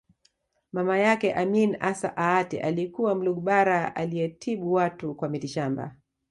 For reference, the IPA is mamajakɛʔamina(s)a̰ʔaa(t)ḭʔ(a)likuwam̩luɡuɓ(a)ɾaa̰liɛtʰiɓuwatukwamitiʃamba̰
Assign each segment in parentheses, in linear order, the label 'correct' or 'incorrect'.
correct, correct, correct, correct

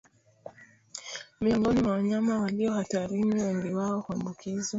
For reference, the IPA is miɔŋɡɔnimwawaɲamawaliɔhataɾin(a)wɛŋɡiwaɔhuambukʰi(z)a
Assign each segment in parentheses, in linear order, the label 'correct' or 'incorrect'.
incorrect, correct

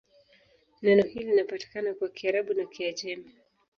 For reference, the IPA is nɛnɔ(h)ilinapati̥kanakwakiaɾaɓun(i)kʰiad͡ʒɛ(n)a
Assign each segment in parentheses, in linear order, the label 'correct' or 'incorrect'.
correct, incorrect, incorrect

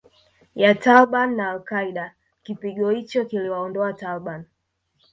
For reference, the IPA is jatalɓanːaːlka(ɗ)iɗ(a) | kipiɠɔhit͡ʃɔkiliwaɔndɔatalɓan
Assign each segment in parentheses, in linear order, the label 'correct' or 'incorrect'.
incorrect, correct

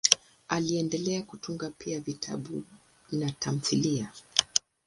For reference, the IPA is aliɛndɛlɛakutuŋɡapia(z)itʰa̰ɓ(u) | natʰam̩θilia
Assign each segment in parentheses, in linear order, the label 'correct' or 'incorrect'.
incorrect, correct

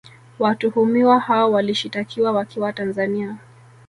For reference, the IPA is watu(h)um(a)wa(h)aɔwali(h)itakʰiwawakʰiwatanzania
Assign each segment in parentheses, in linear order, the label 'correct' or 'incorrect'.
correct, incorrect, correct, incorrect

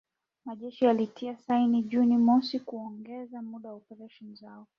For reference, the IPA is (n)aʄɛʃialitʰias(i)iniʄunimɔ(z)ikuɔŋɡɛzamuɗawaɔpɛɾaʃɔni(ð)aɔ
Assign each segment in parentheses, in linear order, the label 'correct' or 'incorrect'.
incorrect, incorrect, incorrect, incorrect

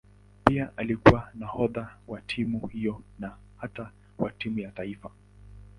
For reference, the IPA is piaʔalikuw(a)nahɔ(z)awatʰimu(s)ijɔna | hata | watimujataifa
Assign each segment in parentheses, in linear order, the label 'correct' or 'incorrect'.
correct, incorrect, incorrect

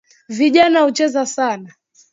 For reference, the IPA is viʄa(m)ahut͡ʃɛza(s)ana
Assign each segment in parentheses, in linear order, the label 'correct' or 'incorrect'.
incorrect, correct

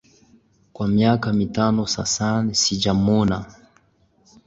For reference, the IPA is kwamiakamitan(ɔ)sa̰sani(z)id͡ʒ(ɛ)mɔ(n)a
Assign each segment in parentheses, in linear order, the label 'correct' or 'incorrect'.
correct, incorrect, incorrect, correct

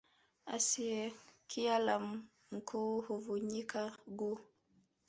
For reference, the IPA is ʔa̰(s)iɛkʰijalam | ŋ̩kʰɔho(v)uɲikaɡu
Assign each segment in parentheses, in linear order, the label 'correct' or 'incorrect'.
correct, correct

